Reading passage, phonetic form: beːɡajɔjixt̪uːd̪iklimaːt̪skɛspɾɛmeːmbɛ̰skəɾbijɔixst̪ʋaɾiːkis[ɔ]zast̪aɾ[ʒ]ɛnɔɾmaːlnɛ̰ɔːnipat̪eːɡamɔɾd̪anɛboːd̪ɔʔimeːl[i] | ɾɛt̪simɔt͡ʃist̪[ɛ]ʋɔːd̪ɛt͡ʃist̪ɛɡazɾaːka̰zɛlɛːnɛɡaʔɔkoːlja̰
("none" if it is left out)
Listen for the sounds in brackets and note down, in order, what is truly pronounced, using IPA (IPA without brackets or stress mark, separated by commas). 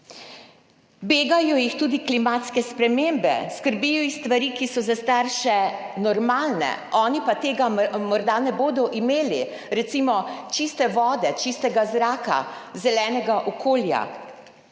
ɔ, ʃ, i, ɛ